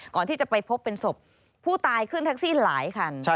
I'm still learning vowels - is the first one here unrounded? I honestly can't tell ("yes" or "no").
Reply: no